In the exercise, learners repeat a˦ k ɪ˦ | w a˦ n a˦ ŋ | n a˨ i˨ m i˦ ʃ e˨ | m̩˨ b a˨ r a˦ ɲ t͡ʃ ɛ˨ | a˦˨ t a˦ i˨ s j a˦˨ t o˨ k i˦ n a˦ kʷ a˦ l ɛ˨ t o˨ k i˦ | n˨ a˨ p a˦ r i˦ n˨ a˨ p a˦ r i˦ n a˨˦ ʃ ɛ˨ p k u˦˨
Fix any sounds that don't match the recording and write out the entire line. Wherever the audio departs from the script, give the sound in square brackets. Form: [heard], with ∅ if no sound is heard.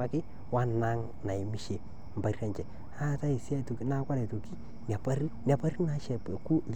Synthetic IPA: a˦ k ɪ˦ | w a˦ n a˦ ŋ | n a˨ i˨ m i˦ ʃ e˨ | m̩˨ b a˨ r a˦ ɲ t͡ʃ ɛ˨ | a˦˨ t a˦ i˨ s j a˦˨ t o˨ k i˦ n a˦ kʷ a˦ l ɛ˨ t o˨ k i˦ | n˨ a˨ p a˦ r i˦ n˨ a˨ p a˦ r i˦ n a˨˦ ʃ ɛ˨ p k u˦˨